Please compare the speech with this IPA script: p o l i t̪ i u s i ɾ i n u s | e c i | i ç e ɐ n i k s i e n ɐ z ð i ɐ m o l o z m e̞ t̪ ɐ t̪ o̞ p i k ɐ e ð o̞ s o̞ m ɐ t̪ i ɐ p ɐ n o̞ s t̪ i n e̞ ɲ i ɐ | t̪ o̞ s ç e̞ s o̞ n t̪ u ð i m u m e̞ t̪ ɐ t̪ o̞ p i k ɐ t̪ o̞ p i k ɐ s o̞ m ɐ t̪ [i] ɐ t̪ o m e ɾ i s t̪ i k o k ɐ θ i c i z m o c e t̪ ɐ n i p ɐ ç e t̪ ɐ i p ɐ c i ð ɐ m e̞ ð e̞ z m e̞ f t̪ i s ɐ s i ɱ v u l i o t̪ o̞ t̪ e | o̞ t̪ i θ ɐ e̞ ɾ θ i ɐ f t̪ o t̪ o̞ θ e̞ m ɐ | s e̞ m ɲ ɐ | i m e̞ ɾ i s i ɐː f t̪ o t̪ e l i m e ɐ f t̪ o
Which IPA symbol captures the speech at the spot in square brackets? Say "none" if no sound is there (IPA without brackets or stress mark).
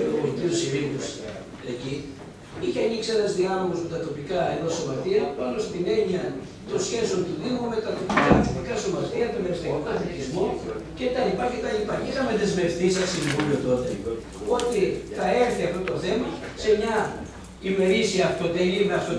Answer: i